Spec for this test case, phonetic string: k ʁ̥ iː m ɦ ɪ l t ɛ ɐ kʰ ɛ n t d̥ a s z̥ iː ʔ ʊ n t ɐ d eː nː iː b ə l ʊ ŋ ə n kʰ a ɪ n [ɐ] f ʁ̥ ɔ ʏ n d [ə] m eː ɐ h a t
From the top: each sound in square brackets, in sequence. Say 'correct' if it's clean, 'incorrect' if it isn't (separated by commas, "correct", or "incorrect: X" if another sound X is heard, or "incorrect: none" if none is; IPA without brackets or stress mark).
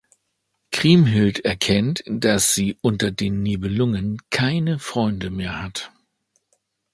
incorrect: ə, correct